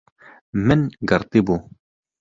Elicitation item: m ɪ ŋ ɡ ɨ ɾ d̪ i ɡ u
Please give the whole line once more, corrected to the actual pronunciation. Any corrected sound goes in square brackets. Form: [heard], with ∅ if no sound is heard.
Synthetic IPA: m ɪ [n] ɡ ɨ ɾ [t̪] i [b] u

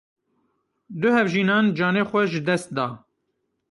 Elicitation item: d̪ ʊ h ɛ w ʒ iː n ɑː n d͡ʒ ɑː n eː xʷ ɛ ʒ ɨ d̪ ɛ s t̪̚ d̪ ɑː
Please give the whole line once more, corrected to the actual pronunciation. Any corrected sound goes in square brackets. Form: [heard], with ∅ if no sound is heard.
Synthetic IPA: d̪ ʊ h ɛ [v] ʒ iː n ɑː n d͡ʒ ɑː n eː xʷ ɛ ʒ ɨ d̪ ɛ s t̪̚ d̪ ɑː

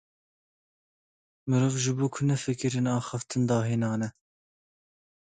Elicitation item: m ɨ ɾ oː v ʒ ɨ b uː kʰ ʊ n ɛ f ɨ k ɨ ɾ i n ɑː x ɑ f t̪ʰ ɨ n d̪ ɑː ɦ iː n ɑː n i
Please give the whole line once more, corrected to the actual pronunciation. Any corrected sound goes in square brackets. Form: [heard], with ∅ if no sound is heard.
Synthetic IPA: m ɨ ɾ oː v ʒ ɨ b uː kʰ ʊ n ɛ f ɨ k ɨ ɾ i n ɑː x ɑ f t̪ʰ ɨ n d̪ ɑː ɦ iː n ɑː n [ɛ]

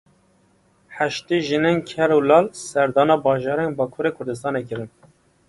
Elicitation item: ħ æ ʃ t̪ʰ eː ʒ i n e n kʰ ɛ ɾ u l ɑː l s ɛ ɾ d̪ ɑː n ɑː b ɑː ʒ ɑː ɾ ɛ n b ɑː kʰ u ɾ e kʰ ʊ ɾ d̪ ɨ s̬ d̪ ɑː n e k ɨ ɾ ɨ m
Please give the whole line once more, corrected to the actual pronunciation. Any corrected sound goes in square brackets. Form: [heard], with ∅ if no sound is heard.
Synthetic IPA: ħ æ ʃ [t̪] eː ʒ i n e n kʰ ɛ ɾ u l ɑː l s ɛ ɾ d̪ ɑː n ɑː b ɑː ʒ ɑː ɾ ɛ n b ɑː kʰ u ɾ e kʰ ʊ ɾ d̪ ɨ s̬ [t̪] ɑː n e k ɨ ɾ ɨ [n]

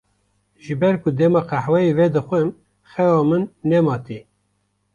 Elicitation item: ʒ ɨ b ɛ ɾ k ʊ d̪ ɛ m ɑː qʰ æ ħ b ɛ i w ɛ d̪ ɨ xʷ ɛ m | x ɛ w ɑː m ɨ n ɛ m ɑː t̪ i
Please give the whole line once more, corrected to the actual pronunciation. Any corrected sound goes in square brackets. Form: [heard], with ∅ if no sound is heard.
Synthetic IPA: ʒ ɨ b ɛ ɾ k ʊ d̪ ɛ m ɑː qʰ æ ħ [w] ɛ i [v] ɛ d̪ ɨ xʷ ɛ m | x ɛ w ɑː m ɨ [nː] ɛ m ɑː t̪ i

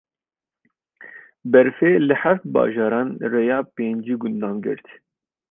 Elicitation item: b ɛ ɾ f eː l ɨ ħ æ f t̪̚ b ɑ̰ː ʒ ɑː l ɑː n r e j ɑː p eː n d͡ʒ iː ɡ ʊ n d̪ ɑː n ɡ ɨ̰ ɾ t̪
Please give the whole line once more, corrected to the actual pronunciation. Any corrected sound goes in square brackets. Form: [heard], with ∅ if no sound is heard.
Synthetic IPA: b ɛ ɾ f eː l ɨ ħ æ f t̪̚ b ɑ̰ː ʒ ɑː [ɾ] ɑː n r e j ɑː p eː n d͡ʒ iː ɡ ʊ n d̪ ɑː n ɡ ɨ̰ ɾ t̪

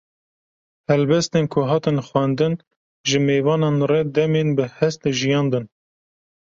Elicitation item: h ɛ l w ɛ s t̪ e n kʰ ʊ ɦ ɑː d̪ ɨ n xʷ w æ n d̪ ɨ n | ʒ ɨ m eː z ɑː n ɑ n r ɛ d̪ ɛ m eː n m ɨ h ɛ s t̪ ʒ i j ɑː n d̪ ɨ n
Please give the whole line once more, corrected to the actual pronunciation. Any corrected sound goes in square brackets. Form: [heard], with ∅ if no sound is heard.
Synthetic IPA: h ɛ l [b] ɛ s t̪ e n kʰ ʊ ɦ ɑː [t̪] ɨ n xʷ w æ n d̪ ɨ n | ʒ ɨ m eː [v] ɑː n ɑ n r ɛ d̪ ɛ m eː n [b] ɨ h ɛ s t̪ ʒ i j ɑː n d̪ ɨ n

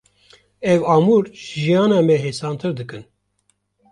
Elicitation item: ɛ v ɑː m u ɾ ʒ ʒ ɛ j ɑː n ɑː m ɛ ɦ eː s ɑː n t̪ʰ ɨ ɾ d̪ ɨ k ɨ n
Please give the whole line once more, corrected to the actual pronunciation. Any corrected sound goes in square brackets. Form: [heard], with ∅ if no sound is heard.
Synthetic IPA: ɛ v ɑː m u ɾ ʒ ʒ [i] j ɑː n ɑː m ɛ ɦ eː s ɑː n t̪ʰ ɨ ɾ d̪ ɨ k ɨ n

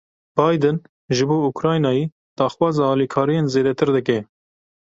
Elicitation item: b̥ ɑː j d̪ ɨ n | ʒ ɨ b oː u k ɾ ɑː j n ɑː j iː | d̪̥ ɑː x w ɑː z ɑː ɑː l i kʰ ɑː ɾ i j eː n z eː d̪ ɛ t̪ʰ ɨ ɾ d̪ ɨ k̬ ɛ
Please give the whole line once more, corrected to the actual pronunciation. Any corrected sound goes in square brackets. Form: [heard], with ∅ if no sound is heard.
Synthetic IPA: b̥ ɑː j d̪ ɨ n | ʒ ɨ b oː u k ɾ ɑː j n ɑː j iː | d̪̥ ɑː x w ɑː z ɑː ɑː l i kʰ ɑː ɾ i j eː n z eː d̪ ɛ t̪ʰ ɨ ɾ d̪ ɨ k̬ ɛ

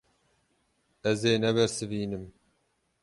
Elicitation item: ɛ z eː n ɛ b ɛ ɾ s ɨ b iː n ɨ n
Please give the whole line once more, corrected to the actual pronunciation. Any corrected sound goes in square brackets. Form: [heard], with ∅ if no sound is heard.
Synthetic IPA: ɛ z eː n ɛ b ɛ ɾ s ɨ [v] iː n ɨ [m]

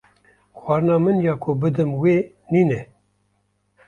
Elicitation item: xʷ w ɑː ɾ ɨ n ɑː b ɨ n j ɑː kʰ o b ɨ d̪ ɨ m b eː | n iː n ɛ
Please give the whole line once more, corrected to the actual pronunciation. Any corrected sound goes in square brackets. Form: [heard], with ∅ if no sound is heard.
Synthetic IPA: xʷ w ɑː ɾ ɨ n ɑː [m] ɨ n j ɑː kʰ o b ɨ d̪ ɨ m [w] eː | n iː n ɛ

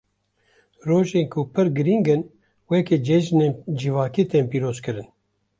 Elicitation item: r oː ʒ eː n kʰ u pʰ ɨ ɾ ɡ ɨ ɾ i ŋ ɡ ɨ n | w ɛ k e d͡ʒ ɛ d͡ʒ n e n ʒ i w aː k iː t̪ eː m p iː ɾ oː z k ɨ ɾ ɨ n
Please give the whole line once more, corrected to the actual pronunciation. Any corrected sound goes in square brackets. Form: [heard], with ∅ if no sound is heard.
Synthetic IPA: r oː ʒ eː n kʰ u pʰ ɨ ɾ ɡ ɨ ɾ i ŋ ɡ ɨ n | w ɛ k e d͡ʒ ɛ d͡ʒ n e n [d͡ʒ] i [v] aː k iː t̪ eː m p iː ɾ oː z k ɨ ɾ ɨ n

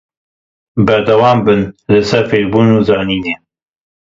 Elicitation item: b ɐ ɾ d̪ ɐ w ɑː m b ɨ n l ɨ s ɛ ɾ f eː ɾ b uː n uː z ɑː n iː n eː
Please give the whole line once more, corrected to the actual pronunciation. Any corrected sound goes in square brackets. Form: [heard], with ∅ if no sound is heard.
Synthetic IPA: b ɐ ɾ d̪ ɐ w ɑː m b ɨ n l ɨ s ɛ ɾ f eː ɾ b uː n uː z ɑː n iː n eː

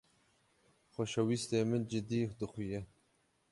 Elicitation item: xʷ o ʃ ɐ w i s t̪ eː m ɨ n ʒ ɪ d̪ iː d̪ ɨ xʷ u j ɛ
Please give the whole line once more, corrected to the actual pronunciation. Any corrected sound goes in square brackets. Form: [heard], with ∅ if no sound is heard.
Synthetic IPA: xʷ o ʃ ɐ w i s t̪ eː m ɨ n [d͡ʒ] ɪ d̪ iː d̪ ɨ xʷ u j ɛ

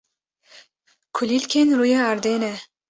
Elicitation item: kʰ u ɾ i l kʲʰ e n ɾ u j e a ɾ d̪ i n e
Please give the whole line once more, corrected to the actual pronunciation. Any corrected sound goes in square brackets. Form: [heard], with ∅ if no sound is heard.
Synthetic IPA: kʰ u [l] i l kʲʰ e n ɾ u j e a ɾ d̪ [e] n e

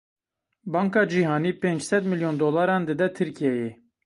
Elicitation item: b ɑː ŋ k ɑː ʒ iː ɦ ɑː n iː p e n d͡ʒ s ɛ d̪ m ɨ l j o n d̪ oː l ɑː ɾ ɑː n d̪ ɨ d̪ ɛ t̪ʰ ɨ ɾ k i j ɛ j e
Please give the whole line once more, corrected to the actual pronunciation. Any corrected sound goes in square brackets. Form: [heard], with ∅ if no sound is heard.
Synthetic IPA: b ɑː ŋ k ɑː [d͡ʒ] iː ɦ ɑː n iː p e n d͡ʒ s ɛ d̪ m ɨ l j o n d̪ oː l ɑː ɾ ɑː n d̪ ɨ d̪ ɛ t̪ʰ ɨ ɾ k i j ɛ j e

